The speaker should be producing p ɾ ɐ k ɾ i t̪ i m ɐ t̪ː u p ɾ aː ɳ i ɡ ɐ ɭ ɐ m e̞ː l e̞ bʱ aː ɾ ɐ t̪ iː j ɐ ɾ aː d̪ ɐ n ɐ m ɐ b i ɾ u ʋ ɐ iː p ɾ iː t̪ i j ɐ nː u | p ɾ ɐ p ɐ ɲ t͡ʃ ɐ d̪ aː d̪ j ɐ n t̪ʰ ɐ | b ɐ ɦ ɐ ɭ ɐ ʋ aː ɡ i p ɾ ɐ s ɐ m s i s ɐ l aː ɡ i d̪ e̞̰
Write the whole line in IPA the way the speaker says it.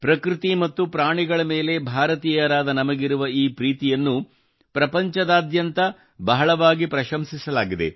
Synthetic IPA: p ɾ ɐ k ɾ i t̪ i m ɐ t̪ː u p ɾ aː ɳ i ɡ ɐ ɭ ɐ m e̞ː l e̞ bʱ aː ɾ ɐ t̪ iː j ɐ ɾ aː d̪ ɐ n ɐ m ɐ ɡ i ɾ u ʋ ɐ iː p ɾ iː t̪ i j ɐ nː u | p ɾ ɐ p ɐ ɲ t͡ʃ ɐ d̪ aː d̪ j ɐ n t̪ ɐ | b ɐ ɦ ɐ ɭ ɐ ʋ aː ɡ i p ɾ ɐ ʃ ɐ m s i s ɐ l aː ɡ i d̪ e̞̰